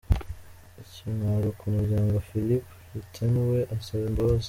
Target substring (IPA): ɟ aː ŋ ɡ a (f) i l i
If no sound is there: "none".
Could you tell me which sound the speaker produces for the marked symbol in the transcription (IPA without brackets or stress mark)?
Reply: f